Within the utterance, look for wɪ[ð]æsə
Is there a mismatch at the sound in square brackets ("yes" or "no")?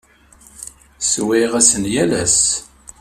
yes